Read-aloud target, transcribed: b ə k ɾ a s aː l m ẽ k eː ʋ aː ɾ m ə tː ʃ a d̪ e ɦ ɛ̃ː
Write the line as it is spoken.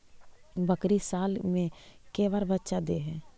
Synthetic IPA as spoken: b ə k ɾ i s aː l m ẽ k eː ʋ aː ɾ b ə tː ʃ a d̪ e ɦ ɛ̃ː